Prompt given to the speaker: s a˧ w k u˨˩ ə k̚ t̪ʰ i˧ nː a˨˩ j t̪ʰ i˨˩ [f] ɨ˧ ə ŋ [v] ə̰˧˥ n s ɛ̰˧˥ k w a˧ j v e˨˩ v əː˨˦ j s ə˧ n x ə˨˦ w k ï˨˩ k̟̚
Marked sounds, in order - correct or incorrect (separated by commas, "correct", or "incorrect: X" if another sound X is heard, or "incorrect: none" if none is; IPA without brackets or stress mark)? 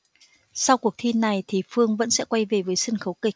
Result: correct, correct